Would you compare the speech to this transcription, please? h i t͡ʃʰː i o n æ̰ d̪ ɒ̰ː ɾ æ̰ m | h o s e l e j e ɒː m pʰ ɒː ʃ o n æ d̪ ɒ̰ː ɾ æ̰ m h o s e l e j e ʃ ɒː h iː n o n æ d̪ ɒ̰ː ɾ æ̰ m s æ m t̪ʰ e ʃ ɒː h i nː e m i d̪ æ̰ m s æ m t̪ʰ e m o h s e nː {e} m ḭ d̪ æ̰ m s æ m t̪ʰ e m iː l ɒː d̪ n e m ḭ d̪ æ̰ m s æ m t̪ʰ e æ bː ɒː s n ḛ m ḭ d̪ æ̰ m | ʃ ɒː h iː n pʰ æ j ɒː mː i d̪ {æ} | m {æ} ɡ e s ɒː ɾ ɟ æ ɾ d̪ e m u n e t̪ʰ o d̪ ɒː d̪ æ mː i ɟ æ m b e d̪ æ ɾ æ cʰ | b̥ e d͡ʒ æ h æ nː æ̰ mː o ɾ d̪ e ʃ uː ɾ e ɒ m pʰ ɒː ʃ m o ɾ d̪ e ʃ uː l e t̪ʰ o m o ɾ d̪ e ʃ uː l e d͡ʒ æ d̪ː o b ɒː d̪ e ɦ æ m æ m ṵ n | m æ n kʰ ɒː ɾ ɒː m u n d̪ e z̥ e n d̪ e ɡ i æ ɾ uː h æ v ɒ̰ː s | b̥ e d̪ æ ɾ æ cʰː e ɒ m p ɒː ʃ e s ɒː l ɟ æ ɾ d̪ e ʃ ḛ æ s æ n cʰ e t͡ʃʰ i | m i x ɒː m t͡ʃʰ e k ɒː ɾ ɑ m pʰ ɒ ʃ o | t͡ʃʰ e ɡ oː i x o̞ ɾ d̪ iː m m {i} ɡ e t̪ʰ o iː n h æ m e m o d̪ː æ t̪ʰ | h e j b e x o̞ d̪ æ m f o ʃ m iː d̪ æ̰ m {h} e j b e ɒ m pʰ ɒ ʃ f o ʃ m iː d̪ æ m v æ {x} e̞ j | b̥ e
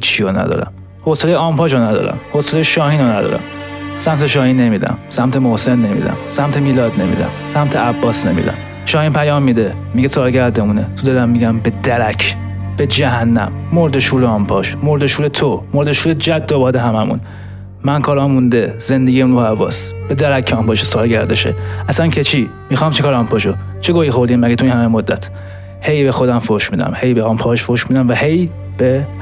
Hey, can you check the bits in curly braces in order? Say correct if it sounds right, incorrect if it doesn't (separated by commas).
correct, incorrect, incorrect, incorrect, correct, incorrect